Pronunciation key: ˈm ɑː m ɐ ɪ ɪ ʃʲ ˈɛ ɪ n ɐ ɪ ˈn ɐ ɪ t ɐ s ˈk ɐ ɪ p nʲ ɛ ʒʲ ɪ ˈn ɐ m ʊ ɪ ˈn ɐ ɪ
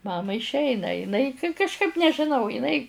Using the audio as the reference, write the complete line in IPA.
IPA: ˈm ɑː m ɐ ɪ ɪ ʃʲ ˈɛ ɪ n ɐ ɪ ˈn ɐ ɪ k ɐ ʃ ˈk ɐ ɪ p nʲ ɛ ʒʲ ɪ ˈn ɐ ʊ ɪ ˈn ɐ ɪ